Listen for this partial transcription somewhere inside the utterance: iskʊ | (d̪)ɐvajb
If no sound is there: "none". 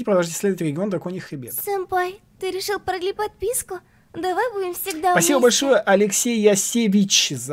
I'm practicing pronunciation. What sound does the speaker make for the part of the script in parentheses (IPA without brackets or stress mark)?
d̪